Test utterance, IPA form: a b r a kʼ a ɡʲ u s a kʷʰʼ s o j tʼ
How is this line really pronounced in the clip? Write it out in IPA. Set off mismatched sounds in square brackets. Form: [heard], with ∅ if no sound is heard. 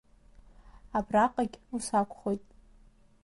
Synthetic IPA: a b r a [qʼ] a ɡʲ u s a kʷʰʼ [χ] o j tʼ